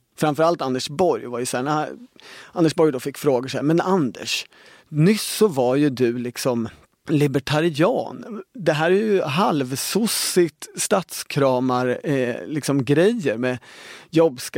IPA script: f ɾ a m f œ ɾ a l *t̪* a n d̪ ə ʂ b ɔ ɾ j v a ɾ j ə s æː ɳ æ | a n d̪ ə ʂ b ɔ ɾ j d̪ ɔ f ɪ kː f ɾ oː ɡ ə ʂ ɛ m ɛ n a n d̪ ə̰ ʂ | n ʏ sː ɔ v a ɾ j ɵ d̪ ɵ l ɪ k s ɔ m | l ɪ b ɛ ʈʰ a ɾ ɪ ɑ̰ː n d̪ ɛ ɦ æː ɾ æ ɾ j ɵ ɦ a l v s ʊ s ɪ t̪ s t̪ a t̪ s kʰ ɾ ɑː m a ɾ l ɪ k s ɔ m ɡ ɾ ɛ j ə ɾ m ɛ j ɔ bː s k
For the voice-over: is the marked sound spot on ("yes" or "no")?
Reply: yes